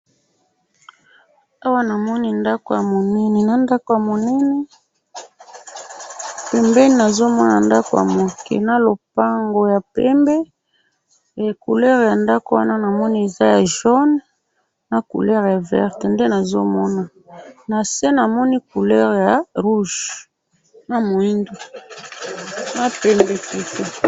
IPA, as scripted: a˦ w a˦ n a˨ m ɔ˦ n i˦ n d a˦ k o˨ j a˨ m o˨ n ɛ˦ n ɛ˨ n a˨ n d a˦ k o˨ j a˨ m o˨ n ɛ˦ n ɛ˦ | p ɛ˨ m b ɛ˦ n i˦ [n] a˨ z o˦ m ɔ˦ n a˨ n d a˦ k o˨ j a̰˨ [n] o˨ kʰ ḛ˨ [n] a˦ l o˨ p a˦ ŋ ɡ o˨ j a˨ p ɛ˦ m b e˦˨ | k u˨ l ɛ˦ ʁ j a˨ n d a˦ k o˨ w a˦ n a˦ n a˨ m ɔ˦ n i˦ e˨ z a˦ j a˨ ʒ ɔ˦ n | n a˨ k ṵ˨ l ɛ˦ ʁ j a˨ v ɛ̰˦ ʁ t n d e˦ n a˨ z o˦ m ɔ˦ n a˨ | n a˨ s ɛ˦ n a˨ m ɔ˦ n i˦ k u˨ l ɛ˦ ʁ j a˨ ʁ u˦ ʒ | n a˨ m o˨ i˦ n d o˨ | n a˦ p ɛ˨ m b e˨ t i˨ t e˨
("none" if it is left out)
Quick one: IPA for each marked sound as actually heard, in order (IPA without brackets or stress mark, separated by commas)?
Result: n, m, n